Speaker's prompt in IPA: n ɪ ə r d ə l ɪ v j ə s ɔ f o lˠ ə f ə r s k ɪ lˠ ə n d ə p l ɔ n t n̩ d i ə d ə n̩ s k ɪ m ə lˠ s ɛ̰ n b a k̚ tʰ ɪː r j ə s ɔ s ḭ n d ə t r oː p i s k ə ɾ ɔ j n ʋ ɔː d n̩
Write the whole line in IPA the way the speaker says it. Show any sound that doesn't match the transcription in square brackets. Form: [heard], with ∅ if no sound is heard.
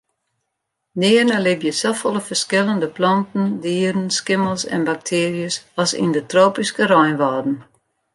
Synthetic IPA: n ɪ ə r [n] ə l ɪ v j ə s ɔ f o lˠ ə f ə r s k ɪ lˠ ə n d ə p l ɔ n t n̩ d i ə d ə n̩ s k ɪ m ə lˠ s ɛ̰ n b a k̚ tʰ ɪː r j ə s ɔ s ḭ n d ə t r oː p i s k ə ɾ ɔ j n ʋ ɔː d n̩